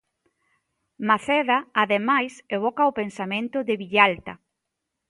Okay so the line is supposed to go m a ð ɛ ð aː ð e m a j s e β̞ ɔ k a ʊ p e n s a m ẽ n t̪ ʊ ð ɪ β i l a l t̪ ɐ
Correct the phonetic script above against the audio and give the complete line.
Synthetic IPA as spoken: m a θ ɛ ð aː ð e m a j s e β̞ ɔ k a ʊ p e n s a m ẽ n t̪ ʊ ð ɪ β i ʎ a l t̪ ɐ